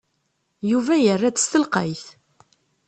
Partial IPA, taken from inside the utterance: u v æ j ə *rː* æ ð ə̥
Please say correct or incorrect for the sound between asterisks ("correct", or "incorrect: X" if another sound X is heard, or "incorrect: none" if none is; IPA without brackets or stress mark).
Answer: correct